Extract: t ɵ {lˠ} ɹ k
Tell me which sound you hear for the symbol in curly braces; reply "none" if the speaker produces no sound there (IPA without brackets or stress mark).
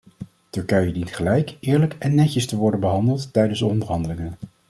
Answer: none